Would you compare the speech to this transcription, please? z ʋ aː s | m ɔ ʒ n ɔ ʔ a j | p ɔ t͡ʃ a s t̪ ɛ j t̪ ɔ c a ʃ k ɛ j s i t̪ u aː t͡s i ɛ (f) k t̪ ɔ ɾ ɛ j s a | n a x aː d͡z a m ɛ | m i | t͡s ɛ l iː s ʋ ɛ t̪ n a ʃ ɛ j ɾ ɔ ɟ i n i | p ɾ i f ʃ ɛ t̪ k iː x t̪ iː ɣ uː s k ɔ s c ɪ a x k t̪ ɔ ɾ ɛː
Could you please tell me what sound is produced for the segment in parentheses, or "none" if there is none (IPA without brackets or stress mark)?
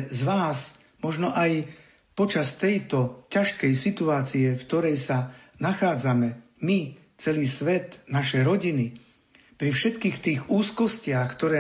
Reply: f